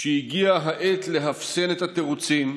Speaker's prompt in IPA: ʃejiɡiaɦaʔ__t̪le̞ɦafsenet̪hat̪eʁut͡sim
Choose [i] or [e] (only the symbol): e